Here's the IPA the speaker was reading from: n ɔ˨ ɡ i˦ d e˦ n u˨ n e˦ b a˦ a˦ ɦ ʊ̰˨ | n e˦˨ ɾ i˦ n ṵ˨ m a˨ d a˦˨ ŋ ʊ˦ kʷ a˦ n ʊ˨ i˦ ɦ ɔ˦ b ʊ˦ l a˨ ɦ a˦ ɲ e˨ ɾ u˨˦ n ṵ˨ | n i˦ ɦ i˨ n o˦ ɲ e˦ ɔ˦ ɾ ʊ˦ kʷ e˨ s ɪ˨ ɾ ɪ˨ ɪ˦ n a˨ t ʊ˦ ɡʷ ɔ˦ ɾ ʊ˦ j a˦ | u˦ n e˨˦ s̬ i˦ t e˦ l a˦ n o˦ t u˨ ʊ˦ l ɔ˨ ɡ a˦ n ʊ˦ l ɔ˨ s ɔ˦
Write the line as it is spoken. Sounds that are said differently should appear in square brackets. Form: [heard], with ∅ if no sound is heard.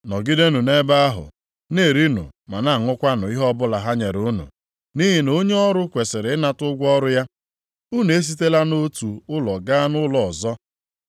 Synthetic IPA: n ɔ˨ ɡ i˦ d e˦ n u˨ n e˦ b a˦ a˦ ɦ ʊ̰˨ | n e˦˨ ɾ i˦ n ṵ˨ m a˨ [n] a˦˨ ŋ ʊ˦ kʷ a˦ n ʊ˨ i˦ ɦ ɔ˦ b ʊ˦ l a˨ ɦ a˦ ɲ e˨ ɾ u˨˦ n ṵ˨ | n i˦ ɦ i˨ n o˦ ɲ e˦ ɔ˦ ɾ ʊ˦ kʷ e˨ s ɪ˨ ɾ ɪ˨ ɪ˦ n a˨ t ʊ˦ ɡʷ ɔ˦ ɾ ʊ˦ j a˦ | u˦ n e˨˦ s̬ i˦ t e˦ l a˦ n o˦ t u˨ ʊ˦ l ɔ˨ ɡ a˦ n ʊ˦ l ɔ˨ [z] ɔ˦